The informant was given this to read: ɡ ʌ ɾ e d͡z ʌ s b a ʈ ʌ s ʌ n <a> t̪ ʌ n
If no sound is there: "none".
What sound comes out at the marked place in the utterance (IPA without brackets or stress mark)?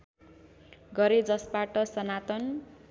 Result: a